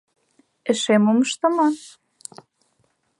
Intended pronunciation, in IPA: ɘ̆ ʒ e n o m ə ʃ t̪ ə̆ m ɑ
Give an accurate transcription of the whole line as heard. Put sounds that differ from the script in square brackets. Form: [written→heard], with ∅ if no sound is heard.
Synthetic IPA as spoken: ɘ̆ [ʒ→ʃ] e [n→m] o m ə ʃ t̪ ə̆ m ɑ